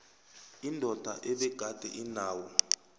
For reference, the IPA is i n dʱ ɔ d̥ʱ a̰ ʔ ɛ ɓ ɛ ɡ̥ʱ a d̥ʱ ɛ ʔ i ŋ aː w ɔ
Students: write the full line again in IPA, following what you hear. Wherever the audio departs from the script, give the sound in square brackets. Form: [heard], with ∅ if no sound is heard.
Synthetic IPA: i n dʱ ɔ d̥ʱ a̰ ʔ ɛ ɓ ɛ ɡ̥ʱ a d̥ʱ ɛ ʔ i [n] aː w ɔ

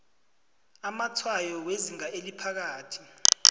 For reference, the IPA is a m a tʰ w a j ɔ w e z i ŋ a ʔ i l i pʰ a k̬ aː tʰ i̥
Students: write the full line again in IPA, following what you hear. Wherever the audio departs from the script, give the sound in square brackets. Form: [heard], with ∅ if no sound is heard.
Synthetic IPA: a m a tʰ w a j ɔ w e z i ŋ a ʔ [e] l i pʰ a k̬ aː tʰ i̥

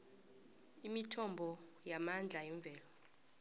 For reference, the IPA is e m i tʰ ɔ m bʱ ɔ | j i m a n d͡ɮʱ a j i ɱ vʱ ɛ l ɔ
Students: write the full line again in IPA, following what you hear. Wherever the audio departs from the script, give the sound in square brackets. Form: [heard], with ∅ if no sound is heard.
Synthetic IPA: [i] m i tʰ ɔ m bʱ ɔ | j [a] m a n d͡ɮʱ a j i ɱ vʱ [ɛː] l ɔ

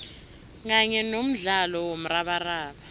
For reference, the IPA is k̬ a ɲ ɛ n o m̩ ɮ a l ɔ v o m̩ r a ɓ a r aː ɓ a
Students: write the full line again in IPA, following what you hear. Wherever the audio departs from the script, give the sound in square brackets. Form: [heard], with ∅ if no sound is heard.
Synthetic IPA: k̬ a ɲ ɛ n o m̩ ɮ a l ɔ [w] o m̩ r a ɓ a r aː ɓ a

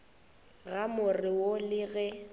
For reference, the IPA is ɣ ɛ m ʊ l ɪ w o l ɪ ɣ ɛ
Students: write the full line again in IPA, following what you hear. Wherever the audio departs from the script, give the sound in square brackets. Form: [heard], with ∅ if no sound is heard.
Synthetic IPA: ɣ [a] m ʊ [r] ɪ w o l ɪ ɣ ɛ

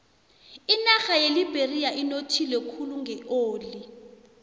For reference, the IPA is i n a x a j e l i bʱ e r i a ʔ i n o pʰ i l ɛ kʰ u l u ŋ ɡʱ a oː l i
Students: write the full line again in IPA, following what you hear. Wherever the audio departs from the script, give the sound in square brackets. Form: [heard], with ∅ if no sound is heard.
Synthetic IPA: i n a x a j e l i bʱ e r i a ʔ i n o [tʰ] i l ɛ kʰ u l u ŋ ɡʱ [ɛ] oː l i

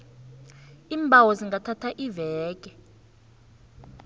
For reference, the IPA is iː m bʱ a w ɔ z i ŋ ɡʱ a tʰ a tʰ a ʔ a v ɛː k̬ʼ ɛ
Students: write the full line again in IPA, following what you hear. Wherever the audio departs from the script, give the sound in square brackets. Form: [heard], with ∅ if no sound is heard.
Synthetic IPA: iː m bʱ a w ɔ z i ŋ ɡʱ a tʰ a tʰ a ʔ [i] v ɛː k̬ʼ ɛ

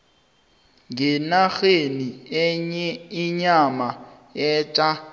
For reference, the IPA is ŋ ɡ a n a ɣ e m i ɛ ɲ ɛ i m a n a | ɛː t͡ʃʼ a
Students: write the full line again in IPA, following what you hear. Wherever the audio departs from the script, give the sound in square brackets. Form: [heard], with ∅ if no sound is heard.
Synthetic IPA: ŋ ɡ [ɛ] n a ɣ e [n] i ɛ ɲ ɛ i [ɲ] a [m] a | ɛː t͡ʃʼ a

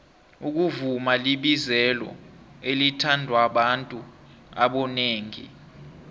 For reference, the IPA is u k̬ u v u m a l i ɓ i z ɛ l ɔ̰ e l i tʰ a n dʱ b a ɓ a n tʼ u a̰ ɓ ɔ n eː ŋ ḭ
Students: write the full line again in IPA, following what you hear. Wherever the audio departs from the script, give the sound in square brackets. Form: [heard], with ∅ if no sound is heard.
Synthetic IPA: u k̬ u v u m a l i ɓ i z ɛ l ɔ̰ e l i tʰ a n dʱ [w] a ɓ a n tʼ u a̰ ɓ ɔ n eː ŋ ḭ

